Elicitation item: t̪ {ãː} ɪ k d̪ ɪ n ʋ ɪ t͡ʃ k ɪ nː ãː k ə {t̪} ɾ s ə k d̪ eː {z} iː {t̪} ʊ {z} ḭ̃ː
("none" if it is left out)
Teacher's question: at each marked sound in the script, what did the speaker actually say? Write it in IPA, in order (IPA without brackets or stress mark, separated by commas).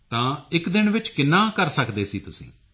ãː, none, s, t̪, s